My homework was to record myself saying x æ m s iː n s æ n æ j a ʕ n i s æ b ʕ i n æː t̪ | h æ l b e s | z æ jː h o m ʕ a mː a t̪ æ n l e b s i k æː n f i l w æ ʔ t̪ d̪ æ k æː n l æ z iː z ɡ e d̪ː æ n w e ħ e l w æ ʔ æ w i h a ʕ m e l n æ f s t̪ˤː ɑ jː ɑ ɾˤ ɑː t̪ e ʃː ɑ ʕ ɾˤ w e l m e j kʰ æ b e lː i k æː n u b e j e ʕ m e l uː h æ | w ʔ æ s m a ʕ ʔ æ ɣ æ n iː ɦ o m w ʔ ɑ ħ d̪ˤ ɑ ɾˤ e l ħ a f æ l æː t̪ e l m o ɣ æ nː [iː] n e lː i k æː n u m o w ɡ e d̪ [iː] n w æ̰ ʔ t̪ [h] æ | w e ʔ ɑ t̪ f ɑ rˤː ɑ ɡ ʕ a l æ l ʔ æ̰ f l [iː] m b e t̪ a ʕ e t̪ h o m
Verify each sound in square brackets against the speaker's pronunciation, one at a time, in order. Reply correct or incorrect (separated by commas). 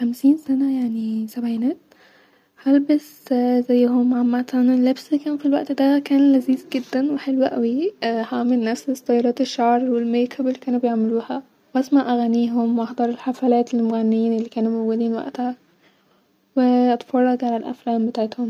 correct, correct, correct, incorrect